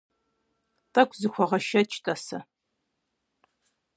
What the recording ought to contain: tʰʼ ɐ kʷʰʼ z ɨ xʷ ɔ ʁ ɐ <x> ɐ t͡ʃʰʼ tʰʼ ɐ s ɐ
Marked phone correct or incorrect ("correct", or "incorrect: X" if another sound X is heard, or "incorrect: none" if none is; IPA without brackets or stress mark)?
incorrect: ʃ